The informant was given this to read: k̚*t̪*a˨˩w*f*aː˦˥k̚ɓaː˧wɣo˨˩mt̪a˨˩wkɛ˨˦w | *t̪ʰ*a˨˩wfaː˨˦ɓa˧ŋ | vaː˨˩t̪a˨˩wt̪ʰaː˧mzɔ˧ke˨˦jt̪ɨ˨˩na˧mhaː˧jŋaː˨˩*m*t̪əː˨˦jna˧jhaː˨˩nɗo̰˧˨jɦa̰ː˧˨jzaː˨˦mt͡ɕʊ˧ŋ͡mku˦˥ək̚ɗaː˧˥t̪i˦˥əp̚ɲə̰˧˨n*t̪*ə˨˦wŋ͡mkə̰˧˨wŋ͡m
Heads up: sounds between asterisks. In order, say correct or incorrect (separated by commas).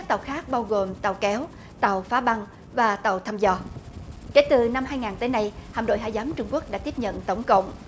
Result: correct, incorrect, incorrect, incorrect, correct